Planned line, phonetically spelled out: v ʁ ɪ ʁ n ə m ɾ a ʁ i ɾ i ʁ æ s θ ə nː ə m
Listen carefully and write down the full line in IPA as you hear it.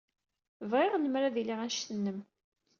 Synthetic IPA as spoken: v ʁ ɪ ʁ n ə m ɾ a ð i l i ʁ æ ʃ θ ə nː ə m

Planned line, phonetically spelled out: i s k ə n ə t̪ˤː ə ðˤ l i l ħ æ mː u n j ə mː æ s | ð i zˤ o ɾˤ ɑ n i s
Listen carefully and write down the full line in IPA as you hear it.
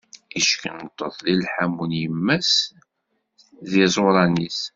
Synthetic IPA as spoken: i ʃ k ə n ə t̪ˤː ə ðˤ l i l ħ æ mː u n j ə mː æ s | ð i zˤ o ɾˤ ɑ n i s

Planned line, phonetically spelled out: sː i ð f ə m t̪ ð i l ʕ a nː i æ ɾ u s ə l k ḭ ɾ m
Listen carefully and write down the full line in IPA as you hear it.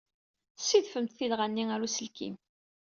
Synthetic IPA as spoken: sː i ð f ə m t̪ θ i l ʁ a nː i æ ɾ u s ə l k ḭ m

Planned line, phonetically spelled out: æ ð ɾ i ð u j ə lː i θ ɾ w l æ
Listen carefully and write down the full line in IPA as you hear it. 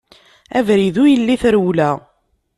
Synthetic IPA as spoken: æ v ɾ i ð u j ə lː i θ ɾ w l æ

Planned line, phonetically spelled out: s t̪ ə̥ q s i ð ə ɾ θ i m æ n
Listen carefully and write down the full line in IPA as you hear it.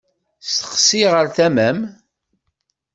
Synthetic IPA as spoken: s t̪ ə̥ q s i ʁ ə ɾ θ æ m æ m

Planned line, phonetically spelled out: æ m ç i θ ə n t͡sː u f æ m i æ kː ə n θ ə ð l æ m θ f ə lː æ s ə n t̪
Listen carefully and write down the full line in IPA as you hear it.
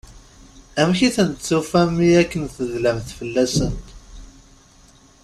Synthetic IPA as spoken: æ m ç i θ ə n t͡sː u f æ m i æ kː ə n θ ə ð l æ m θ f ə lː æ s ə n t̪

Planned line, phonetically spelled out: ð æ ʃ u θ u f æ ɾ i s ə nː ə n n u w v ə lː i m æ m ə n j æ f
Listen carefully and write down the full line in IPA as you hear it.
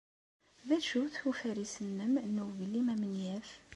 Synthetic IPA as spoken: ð æ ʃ u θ u f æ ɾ i s ə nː ə m n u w v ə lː i m æ m ə n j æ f

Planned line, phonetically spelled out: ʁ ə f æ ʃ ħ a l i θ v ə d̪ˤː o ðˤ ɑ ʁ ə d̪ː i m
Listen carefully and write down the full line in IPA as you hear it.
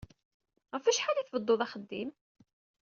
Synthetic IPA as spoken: ʁ ə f æ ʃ ħ a l i θ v ə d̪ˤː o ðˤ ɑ χ ə d̪ː i m

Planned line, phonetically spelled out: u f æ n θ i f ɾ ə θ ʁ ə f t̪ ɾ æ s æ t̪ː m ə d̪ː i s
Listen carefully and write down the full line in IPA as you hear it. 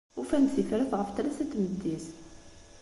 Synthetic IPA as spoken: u f æ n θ i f ɾ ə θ ʁ ə f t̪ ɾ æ s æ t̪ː m ə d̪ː i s

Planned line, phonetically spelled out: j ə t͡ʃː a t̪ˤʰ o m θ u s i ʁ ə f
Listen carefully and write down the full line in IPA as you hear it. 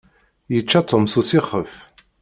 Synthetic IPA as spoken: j ə t͡ʃː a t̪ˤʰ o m s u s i χ ə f

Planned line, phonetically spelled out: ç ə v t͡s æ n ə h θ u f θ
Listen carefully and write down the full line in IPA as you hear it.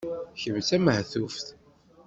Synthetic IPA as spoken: ç ə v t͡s æ m ə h θ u f θ

